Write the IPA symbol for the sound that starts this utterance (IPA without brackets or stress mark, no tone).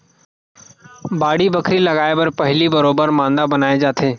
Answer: b